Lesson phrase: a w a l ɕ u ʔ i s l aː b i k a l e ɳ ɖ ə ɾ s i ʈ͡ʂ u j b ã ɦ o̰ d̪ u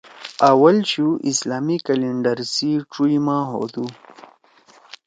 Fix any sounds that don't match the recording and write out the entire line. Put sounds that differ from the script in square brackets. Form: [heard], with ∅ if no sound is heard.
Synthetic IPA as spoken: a w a l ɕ u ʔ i s l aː [m] i k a l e ɳ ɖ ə ɾ s i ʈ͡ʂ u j [m] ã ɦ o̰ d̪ u